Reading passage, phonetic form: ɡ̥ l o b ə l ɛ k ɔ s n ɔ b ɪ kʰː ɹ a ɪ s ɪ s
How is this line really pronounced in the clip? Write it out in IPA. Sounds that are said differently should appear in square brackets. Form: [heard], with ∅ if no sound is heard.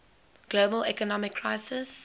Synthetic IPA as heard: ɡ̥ l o b ə l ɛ k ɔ [∅] n ɔ [m] ɪ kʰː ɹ a ɪ s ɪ s